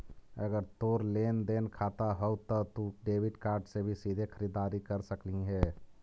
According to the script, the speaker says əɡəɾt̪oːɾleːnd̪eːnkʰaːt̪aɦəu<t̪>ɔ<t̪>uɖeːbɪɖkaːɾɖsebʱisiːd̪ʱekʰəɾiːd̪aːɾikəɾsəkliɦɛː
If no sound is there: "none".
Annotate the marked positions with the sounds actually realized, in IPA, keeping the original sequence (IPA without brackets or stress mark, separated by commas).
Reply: t̪, t̪